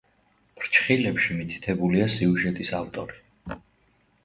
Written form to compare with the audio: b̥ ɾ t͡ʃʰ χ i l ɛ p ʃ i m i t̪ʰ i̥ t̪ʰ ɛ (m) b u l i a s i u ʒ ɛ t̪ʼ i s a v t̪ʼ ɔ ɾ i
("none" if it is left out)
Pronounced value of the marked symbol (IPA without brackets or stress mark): none